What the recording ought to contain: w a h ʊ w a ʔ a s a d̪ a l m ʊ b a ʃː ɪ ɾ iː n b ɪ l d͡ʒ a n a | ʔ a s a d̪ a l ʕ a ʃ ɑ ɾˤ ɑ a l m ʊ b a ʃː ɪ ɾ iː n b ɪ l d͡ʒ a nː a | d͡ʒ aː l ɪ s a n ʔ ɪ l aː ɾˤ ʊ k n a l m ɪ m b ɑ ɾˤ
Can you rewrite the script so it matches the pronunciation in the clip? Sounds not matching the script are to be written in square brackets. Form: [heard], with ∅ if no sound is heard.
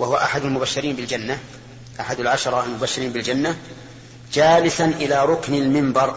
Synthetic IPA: w a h ʊ w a ʔ a [ħ] a d̪ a l m ʊ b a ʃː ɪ ɾ iː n b ɪ l d͡ʒ a [nː] a | ʔ a [ħ] a d̪ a l ʕ a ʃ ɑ ɾˤ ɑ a l m ʊ b a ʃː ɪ ɾ iː n b ɪ l d͡ʒ a nː a | d͡ʒ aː l ɪ s a n ʔ ɪ l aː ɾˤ ʊ k n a l m ɪ m b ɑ ɾˤ